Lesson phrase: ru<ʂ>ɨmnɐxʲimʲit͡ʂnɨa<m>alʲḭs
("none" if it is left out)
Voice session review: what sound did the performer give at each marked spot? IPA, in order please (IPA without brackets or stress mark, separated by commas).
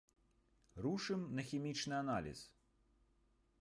ʂ, n